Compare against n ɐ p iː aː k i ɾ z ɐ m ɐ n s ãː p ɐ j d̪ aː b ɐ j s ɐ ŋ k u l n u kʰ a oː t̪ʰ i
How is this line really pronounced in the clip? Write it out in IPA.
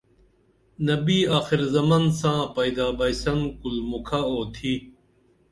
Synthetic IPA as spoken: n ɐ b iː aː x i ɾ z ɐ m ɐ n s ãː p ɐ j d̪ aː b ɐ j s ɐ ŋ k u l m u kʰ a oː t̪ʰ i